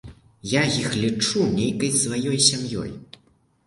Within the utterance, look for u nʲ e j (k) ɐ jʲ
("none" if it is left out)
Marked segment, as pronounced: k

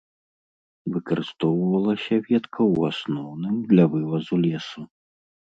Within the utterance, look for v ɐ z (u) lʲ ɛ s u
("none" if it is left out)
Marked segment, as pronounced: u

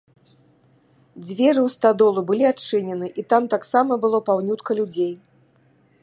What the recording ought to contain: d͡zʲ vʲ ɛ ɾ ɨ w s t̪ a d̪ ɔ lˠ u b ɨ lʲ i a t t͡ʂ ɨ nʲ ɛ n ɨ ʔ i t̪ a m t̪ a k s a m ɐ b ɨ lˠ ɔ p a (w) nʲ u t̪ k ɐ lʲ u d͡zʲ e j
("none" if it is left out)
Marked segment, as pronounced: w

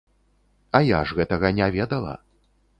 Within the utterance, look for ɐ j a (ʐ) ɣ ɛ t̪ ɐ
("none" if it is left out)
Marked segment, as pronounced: ʐ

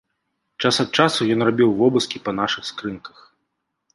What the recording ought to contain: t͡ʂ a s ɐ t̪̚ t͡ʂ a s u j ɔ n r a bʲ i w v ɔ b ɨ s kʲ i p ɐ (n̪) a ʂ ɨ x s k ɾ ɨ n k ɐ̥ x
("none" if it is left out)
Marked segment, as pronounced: n̪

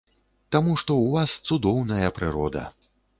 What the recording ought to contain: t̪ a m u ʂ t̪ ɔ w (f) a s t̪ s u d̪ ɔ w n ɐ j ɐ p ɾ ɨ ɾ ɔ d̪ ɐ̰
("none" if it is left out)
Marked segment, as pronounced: v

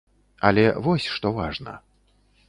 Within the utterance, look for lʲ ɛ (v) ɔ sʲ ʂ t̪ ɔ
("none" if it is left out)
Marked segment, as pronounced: v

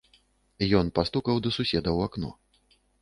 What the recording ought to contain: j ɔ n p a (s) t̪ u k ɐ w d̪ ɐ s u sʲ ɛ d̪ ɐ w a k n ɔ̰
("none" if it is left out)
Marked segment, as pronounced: s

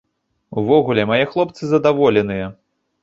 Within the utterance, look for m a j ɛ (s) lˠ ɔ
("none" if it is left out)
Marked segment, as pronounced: x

